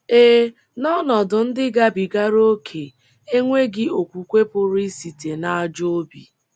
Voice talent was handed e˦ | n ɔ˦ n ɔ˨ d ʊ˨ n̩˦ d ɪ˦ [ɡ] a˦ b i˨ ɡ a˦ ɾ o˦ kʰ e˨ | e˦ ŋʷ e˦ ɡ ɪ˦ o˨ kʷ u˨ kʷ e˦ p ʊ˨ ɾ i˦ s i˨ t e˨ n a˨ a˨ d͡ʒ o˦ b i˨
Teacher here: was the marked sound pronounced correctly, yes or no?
yes